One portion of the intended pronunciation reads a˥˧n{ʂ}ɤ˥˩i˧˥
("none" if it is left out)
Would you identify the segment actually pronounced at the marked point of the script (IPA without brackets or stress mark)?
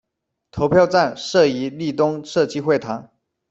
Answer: ʂ